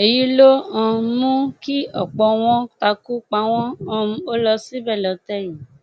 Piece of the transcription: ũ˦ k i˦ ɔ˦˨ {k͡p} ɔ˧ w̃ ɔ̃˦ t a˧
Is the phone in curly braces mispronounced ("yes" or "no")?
no